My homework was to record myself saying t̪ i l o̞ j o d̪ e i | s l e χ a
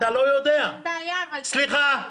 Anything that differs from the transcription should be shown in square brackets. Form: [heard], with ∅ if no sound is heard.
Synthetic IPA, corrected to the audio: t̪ [a] l o̞ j o d̪ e [a] | s l [i] χ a